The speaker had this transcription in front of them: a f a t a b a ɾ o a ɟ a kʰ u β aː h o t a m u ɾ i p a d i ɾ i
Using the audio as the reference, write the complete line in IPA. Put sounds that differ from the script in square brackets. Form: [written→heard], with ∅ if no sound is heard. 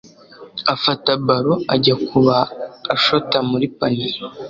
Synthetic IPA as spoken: a f a t a b a ɾ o a ɟ a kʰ u β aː [h→ʃ] o t a m u ɾ i p a [d→n] i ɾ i